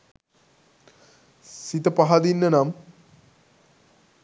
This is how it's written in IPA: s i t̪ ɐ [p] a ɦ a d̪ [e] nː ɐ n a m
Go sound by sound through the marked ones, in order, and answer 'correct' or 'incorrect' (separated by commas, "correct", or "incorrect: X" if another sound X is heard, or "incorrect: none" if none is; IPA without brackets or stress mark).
correct, incorrect: i